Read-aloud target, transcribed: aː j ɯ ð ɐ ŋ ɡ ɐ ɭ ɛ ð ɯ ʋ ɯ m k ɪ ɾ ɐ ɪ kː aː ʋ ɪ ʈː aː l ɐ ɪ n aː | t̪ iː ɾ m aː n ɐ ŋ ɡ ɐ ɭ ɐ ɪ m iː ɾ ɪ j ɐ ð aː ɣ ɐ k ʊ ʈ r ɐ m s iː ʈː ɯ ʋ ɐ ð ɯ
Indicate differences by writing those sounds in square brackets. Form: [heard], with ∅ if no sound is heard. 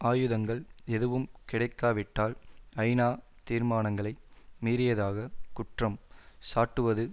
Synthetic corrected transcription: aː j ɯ ð ɐ ŋ ɡ ɐ ɭ ɛ ð ɯ ʋ ɯ m k ɪ [ɽ] ɐ ɪ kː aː ʋ ɪ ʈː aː l ɐ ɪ n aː | t̪ iː ɾ m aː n ɐ ŋ ɡ ɐ ɭ ɐ ɪ m iː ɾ ɪ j ɐ ð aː ɣ ɐ k ʊ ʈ r ɐ m s [aː] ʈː ɯ ʋ ɐ ð ɯ

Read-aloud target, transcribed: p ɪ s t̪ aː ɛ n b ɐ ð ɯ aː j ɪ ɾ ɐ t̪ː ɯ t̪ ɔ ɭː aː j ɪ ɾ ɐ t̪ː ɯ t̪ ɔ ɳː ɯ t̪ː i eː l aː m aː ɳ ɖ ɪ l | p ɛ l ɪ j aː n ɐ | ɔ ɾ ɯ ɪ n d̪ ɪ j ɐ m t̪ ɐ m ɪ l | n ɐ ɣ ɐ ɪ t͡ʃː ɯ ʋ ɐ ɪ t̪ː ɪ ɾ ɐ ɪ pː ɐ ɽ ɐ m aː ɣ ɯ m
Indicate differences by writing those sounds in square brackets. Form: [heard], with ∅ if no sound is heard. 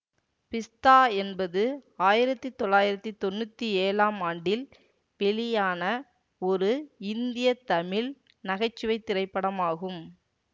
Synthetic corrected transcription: p ɪ s t̪ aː ɛ n b ɐ ð ɯ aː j ɪ ɾ ɐ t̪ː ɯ t̪ ɔ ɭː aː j ɪ ɾ ɐ t̪ː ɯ t̪ ɔ [nː] ɯ t̪ː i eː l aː m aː ɳ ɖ ɪ l | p ɛ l ɪ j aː n ɐ | ɔ ɾ ɯ ɪ n d̪ ɪ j ɐ [∅] t̪ ɐ m ɪ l | n ɐ ɣ ɐ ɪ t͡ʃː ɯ ʋ ɐ ɪ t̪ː ɪ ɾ ɐ ɪ pː ɐ ɽ ɐ m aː ɣ ɯ m

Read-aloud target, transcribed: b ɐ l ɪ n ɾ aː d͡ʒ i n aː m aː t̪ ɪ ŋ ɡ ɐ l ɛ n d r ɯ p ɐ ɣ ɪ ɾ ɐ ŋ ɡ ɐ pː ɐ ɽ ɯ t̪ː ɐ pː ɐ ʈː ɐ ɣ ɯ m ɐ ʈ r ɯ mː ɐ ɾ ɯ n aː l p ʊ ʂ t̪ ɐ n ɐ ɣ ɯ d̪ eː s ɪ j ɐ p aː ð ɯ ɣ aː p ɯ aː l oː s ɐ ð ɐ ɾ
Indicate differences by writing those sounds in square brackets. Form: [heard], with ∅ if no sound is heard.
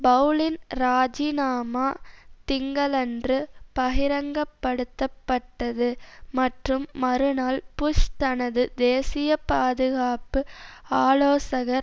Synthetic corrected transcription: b ɐ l ɪ n ɾ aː d͡ʒ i n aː m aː t̪ ɪ ŋ ɡ ɐ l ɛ n d r ɯ p ɐ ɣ ɪ ɾ ɐ ŋ ɡ ɐ pː ɐ ɽ ɯ t̪ː ɐ pː ɐ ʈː ɐ [ð] ɯ m ɐ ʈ r ɯ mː ɐ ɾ ɯ n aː l p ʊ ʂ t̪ ɐ n ɐ [ð] ɯ d̪ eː s ɪ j ɐ p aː ð ɯ ɣ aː p ɯ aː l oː s ɐ [ɣ] ɐ ɾ

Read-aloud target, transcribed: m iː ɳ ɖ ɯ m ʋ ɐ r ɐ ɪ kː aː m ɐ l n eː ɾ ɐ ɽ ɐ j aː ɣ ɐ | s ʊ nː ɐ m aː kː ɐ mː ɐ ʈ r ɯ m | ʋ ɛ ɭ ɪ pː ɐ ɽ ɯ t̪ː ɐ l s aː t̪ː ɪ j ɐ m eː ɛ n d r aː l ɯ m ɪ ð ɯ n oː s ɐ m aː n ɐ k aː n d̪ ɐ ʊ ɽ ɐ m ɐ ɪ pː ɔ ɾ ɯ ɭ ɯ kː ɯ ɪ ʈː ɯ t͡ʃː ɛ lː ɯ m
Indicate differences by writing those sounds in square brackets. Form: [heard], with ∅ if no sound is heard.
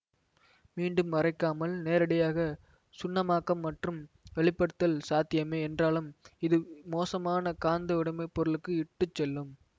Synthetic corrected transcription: m iː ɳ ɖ ɯ m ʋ ɐ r ɐ ɪ kː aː m ɐ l n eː ɾ ɐ ɽ ɐ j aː ɣ ɐ | s ʊ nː ɐ m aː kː ɐ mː ɐ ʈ r ɯ m | ʋ ɛ ɭ ɪ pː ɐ ɽ ɯ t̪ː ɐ l s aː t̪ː ɪ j ɐ m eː ɛ n d r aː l ɯ m ɪ ð ɯ [m] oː s ɐ m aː n ɐ k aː n d̪ ɐ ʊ ɽ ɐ m ɐ ɪ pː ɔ ɾ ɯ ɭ ɯ kː ɯ ɪ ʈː ɯ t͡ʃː ɛ lː ɯ m

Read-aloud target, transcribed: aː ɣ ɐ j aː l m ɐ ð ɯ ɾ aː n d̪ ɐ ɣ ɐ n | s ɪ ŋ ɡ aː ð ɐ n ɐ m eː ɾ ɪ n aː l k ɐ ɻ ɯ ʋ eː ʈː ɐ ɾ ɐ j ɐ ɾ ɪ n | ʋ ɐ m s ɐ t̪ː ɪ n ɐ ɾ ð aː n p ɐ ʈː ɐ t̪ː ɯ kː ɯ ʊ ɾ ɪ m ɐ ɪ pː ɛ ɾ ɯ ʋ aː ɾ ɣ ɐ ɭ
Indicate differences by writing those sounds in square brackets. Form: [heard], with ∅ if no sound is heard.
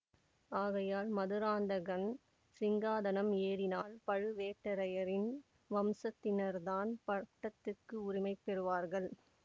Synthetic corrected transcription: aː ɣ ɐ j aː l m ɐ ð ɯ ɾ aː n d̪ ɐ ɣ ɐ n | s ɪ ŋ ɡ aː ð ɐ n ɐ m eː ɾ ɪ n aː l [p] ɐ ɻ ɯ ʋ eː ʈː ɐ ɾ ɐ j ɐ ɾ ɪ n | ʋ ɐ m s ɐ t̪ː ɪ n ɐ ɾ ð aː n p ɐ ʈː ɐ t̪ː ɯ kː ɯ ʊ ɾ ɪ m ɐ ɪ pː ɛ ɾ ɯ ʋ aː ɾ ɣ ɐ ɭ

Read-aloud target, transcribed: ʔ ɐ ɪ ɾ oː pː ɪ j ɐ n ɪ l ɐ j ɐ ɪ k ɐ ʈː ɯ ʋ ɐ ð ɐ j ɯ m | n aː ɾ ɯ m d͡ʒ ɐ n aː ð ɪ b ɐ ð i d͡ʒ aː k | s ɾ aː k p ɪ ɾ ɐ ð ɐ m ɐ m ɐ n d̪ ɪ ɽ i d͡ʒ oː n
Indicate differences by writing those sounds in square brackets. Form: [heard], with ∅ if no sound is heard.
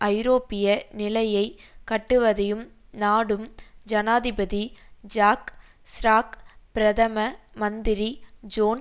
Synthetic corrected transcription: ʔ ɐ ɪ ɾ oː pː ɪ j ɐ n ɪ l ɐ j ɐ ɪ k ɐ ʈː ɯ ʋ ɐ ð ɐ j ɯ m | n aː [ɽ] ɯ m d͡ʒ ɐ n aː ð ɪ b ɐ ð i d͡ʒ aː k | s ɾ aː k p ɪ ɾ ɐ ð ɐ m ɐ m ɐ n d̪ ɪ [ɾ] i d͡ʒ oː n

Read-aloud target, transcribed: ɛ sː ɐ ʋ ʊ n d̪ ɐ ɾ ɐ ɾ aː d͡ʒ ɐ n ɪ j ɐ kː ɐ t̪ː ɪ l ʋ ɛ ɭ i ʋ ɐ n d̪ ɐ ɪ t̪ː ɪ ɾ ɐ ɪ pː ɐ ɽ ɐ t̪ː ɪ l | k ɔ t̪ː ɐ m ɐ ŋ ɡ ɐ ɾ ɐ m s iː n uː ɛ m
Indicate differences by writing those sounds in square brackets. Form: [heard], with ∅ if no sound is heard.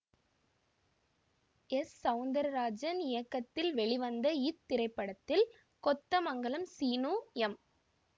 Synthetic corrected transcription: ɛ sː ɐ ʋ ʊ n d̪ ɐ ɾ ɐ ɾ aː d͡ʒ ɐ n ɪ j ɐ kː ɐ t̪ː ɪ l ʋ ɛ ɭ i ʋ ɐ n d̪ ɐ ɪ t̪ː ɪ ɾ ɐ ɪ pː ɐ ɽ ɐ t̪ː ɪ l | k ɔ t̪ː ɐ m ɐ ŋ ɡ ɐ [ɭ] ɐ m s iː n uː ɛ m

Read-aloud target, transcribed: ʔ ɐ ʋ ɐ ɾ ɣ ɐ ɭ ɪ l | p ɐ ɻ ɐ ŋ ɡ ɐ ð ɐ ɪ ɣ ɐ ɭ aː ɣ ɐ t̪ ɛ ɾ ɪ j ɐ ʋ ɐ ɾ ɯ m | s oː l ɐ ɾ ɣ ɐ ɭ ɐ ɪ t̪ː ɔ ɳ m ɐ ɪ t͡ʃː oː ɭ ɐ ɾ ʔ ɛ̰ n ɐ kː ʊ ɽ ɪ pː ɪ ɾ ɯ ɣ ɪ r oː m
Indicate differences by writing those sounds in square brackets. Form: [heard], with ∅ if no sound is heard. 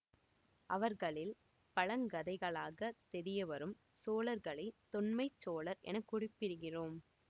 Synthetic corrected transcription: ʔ ɐ ʋ ɐ ɾ ɣ ɐ ɭ ɪ l | p ɐ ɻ ɐ ŋ ɡ ɐ ð ɐ ɪ ɣ ɐ ɭ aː ɣ ɐ t̪ ɛ ɾ ɪ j ɐ ʋ ɐ ɾ ɯ m | s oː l ɐ ɾ ɣ ɐ ɭ ɐ ɪ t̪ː ɔ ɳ m ɐ ɪ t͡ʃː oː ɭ ɐ ɾ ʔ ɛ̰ n ɐ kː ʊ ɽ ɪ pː ɪ ɾ ɯ ɣ ɪ r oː m

